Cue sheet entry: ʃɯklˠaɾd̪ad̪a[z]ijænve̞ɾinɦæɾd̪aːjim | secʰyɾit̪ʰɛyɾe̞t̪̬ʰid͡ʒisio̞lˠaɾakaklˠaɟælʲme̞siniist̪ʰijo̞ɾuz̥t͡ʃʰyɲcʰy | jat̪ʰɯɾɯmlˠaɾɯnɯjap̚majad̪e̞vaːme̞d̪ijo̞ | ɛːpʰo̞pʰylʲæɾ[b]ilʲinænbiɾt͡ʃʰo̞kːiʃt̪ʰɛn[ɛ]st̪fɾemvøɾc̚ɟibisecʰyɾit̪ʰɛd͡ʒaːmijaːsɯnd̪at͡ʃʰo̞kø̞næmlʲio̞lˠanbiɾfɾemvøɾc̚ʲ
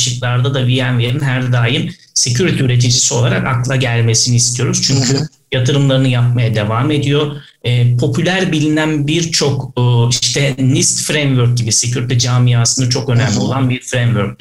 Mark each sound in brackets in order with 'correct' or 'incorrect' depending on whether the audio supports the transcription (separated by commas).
incorrect, correct, incorrect